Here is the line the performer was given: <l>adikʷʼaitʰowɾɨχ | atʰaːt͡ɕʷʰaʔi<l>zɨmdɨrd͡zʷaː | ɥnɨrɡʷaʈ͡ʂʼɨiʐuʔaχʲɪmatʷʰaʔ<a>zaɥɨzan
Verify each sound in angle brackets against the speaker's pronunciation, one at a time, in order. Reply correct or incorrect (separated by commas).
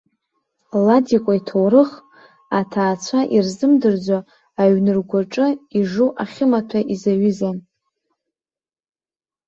correct, incorrect, incorrect